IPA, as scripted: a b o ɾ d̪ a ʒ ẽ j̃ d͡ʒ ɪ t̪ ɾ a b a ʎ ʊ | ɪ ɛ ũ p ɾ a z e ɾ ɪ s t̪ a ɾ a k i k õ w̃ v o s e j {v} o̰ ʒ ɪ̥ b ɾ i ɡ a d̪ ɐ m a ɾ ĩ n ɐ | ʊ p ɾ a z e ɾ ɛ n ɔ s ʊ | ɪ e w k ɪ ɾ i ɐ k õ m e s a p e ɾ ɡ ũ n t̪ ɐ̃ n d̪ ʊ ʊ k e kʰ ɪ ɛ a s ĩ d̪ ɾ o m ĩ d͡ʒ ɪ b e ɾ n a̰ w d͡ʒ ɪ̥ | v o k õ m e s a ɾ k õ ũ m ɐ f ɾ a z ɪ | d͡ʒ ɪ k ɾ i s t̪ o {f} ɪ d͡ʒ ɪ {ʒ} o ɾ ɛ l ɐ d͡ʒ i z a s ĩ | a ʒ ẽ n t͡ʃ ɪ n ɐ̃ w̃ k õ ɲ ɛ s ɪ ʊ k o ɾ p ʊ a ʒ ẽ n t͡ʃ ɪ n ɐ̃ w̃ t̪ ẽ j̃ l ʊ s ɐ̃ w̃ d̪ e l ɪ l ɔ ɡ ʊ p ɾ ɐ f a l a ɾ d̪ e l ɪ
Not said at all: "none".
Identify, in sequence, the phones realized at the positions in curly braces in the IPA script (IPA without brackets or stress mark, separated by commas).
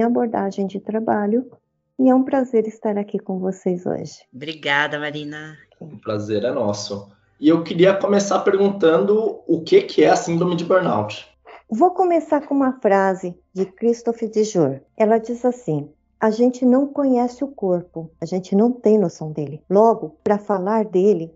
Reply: z, f, ʒ